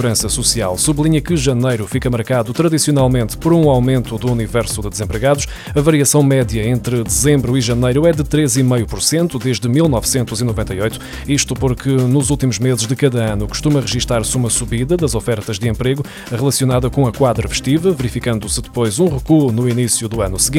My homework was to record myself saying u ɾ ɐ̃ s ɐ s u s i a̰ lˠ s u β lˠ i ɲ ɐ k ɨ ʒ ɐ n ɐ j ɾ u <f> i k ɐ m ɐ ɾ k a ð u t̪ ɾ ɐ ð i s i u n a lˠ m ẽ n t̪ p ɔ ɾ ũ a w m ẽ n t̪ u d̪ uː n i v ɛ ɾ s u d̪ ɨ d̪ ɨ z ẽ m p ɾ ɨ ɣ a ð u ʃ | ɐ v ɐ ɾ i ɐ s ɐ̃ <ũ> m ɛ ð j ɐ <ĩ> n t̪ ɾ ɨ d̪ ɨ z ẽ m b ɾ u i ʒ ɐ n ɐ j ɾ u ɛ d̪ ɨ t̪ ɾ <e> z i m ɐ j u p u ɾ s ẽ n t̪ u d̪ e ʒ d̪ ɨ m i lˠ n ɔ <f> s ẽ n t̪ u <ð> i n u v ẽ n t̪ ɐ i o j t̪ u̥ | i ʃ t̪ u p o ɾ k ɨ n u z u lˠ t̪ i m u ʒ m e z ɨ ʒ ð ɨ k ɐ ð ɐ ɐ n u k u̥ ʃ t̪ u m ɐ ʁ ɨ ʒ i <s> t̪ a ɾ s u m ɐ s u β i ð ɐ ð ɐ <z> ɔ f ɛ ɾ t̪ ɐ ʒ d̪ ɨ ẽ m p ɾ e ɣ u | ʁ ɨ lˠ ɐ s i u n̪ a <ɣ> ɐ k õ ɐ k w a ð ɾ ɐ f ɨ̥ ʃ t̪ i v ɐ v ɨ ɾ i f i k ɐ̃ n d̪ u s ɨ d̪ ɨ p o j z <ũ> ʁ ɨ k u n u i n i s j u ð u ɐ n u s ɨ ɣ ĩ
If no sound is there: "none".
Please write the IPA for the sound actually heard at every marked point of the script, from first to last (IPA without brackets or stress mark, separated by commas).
f, w̃, ẽ, e, v, z, ʃ, z, ð, ũ